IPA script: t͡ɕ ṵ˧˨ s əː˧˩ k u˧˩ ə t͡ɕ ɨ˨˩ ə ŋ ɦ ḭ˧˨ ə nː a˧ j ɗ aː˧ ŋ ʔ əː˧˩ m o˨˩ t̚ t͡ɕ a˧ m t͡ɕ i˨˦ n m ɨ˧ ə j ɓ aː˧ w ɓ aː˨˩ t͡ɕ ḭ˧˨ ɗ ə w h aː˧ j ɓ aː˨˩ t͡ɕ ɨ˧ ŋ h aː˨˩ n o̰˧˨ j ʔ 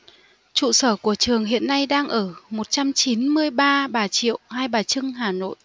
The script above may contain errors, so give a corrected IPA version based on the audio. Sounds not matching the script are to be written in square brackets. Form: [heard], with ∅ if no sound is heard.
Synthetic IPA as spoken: t͡ɕ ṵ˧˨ s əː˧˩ k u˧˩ ə t͡ɕ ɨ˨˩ ə ŋ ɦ ḭ˧˨ ə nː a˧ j ɗ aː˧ ŋ ʔ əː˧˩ m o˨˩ t̚ t͡ɕ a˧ m t͡ɕ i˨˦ n m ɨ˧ ə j ɓ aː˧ [∅] ɓ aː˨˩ t͡ɕ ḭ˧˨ [∅] ə w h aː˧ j ɓ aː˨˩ t͡ɕ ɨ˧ ŋ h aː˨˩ n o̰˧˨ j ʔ